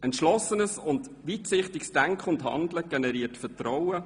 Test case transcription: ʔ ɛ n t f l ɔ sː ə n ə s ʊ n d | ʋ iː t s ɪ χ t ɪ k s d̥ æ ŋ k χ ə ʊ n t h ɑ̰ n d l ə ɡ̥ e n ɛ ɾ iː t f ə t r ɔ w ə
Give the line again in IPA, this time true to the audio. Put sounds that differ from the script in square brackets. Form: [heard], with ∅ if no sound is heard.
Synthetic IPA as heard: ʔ ɛ n t [ʃ] l ɔ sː ə n ə s ʊ n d | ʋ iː t s ɪ χ t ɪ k s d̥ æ ŋ k χ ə ʊ n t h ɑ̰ n d l ə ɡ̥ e n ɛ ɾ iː t f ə t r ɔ w ə